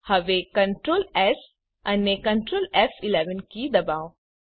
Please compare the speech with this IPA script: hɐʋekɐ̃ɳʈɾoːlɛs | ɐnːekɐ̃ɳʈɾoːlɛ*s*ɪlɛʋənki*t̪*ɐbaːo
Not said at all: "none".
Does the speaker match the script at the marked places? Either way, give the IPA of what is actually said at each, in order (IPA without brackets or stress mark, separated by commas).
f, d̪